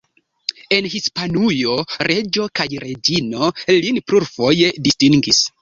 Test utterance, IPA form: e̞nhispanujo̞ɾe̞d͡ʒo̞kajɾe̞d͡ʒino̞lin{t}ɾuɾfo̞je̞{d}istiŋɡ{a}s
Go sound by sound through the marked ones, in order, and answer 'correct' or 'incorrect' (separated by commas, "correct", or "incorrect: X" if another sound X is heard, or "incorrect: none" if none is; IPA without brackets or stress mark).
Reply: incorrect: p, correct, incorrect: i